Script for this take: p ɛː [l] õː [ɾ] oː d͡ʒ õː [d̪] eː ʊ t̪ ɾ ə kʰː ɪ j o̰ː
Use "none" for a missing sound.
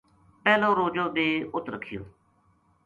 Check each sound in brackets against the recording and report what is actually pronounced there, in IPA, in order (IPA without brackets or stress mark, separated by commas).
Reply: l, ɾ, d̪